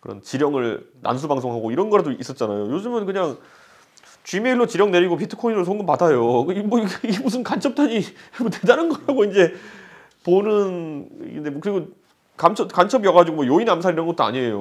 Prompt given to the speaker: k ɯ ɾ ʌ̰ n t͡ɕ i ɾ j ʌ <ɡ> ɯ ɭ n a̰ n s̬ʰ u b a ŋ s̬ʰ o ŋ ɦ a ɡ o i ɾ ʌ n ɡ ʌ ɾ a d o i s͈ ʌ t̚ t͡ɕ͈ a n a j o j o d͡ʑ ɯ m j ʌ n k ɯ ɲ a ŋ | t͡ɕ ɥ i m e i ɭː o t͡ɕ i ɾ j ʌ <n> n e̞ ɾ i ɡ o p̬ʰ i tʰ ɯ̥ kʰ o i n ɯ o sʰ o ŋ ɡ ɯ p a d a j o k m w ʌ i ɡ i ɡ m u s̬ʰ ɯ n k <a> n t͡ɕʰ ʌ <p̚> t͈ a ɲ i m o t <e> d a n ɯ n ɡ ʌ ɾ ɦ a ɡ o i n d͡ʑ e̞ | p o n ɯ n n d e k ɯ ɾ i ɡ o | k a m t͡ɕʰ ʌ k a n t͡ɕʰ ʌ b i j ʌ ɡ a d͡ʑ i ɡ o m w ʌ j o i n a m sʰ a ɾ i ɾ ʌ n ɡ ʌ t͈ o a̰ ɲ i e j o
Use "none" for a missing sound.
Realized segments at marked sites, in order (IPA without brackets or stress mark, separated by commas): ŋ, ŋ, a, p̚, e